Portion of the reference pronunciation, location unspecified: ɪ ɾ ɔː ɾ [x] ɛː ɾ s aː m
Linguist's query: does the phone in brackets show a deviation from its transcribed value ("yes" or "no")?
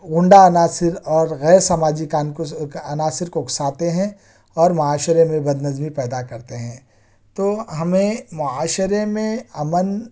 yes